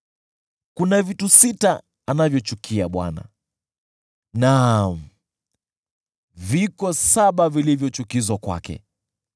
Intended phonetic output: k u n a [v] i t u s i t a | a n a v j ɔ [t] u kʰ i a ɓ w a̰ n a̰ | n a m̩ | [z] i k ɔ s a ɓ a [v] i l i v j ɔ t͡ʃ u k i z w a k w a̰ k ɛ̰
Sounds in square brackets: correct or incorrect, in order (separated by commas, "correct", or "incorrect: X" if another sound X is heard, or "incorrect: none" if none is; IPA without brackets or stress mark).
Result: correct, incorrect: t͡ʃ, incorrect: v, correct